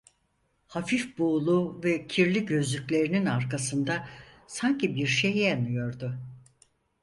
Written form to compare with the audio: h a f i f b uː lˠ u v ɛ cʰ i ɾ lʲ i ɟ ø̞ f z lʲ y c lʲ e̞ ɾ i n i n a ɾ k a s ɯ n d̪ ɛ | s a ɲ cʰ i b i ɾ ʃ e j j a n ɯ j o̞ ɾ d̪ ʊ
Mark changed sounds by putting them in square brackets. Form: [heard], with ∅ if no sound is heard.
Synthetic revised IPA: h a f i f b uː lˠ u v ɛ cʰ i ɾ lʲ i ɟ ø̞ [∅] z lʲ y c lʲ e̞ ɾ i n i n a ɾ k a s ɯ n d̪ [a] | s a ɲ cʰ i b i ɾ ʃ e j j a n ɯ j o̞ ɾ d̪ ʊ